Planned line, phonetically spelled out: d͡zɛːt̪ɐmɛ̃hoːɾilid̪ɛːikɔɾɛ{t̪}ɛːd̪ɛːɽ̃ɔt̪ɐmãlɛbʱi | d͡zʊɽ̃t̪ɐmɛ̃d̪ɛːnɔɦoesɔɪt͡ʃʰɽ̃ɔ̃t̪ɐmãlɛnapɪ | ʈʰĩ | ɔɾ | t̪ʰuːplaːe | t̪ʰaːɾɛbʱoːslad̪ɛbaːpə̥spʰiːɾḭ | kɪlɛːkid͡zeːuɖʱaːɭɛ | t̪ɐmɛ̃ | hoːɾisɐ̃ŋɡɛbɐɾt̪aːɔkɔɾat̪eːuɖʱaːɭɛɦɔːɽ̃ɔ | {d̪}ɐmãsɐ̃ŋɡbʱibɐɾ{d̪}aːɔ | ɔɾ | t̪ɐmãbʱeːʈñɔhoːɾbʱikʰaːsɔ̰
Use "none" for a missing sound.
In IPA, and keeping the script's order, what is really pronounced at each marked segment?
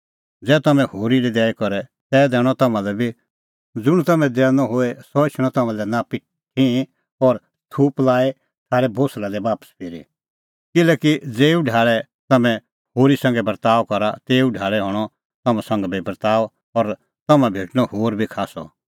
t̪, t̪, t̪

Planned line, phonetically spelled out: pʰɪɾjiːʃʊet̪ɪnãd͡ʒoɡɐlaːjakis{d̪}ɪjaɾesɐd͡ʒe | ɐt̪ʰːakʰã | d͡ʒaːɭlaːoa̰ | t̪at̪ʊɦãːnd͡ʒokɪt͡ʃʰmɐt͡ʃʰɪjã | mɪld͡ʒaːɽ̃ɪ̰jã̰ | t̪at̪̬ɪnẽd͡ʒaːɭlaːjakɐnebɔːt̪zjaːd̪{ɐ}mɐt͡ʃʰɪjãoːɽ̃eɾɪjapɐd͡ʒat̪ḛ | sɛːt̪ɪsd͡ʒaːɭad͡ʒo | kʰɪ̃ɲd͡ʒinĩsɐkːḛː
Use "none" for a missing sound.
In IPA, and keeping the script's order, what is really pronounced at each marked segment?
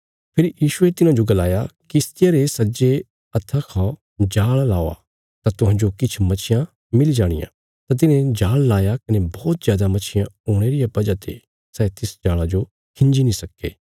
t̪, a

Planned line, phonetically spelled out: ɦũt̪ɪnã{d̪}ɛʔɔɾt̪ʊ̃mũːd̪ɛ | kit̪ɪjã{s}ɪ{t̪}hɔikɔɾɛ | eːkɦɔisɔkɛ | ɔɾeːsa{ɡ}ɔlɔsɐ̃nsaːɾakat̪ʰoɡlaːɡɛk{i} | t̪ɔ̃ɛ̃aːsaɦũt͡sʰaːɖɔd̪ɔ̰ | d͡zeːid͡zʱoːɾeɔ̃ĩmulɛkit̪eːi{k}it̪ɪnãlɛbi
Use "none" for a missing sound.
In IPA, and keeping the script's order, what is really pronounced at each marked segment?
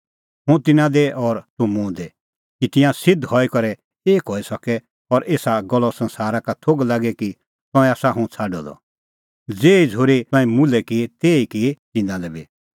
d̪, s, d̪, ɡ, i, k

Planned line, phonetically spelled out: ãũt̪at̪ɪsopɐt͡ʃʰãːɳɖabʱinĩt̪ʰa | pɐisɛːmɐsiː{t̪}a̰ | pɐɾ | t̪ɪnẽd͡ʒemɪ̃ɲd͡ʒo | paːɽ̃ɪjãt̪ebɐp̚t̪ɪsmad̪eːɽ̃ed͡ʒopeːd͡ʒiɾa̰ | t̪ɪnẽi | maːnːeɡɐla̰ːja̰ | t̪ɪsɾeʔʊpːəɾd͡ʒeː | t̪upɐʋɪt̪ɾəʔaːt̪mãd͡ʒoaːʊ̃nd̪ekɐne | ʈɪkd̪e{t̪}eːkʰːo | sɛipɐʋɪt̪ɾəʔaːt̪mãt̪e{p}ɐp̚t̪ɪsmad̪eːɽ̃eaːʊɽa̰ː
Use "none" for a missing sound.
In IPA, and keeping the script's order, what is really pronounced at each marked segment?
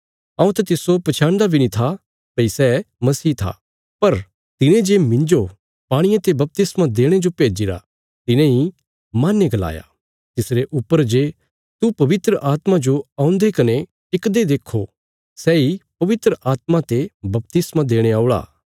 t̪ʰ, d̪, b

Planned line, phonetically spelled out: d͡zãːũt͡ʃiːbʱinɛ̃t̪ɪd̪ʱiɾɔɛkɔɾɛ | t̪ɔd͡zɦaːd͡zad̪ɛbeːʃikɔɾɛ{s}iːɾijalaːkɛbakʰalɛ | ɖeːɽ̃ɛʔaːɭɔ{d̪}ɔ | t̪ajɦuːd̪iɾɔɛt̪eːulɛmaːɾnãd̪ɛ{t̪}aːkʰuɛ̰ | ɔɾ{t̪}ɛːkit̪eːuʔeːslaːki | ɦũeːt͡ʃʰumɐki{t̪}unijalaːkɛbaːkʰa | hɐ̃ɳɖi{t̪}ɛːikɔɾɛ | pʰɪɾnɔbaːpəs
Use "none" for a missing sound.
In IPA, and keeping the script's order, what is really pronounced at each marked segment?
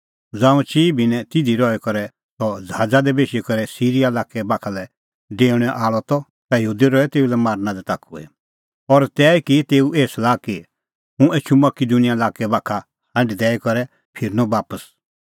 s, t̪, t̪, t̪, d̪, d̪

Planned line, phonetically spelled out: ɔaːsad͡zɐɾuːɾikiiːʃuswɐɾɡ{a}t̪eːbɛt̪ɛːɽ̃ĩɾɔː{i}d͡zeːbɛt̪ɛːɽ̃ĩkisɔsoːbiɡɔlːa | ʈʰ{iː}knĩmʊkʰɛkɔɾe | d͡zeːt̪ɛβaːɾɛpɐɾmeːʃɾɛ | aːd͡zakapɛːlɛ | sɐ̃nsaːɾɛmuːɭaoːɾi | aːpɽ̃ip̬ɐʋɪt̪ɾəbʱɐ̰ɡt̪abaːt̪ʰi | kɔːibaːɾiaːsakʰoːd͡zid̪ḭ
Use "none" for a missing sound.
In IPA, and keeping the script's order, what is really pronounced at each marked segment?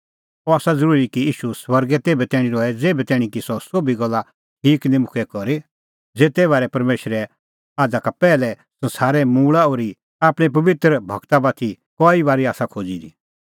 ɛ, ɛ, iː

